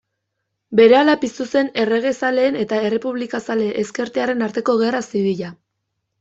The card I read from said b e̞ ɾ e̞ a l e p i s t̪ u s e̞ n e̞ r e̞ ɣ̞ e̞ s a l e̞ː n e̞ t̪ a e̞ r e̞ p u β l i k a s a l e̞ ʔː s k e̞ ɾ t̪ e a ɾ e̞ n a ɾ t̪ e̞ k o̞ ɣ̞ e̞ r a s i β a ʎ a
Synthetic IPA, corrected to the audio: b e̞ ɾ e̞ a l a p i s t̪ u s e̞ n e̞ r e̞ ɣ̞ e̞ s a l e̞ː n e̞ t̪ a e̞ r e̞ p u β l i k a s a l e̞ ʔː s k e̞ ɾ t̪ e a ɾ e̞ n a ɾ t̪ e̞ k o̞ ɣ̞ e̞ r a s i β i ʎ a